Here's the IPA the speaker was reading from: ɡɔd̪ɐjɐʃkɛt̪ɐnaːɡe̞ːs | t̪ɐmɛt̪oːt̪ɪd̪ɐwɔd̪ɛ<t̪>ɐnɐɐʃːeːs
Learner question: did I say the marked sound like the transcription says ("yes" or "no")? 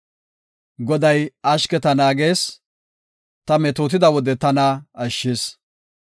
yes